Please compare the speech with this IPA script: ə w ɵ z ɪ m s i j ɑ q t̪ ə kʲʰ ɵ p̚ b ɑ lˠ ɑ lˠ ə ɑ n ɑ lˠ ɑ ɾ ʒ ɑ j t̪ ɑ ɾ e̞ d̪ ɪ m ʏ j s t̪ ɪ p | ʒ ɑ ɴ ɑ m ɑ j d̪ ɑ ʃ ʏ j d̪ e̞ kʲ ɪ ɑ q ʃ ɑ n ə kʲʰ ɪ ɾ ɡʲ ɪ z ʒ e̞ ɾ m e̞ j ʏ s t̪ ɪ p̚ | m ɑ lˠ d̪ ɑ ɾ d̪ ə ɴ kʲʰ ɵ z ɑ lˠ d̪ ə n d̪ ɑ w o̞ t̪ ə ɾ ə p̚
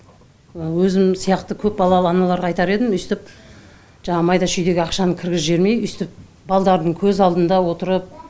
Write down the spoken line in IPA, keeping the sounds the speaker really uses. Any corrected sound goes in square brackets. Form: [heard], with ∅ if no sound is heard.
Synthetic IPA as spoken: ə w ɵ z ɪ m s i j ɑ q t̪ ə kʲʰ ɵ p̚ b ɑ lˠ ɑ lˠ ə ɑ n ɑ lˠ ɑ ɾ [ʁ] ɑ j t̪ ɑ ɾ e̞ d̪ ɪ m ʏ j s t̪ ɪ p | ʒ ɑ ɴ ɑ m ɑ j d̪ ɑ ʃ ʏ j d̪ e̞ [ɡʲ] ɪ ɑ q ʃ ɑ n ə kʲʰ ɪ ɾ ɡʲ ɪ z ʒ e̞ ɾ m e̞ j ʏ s t̪ ɪ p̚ | [b] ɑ lˠ d̪ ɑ ɾ d̪ ə ɴ kʲʰ ɵ z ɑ lˠ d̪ ə n d̪ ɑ w o̞ t̪ ə ɾ ə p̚